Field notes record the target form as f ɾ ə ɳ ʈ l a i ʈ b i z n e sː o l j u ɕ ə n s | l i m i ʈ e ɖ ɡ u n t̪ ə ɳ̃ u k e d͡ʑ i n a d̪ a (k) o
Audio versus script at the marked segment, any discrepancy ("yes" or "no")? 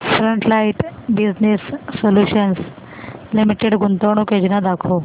yes